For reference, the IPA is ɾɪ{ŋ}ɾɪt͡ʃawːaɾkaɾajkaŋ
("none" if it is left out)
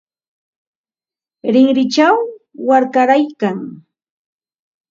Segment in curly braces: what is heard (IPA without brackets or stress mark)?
ŋ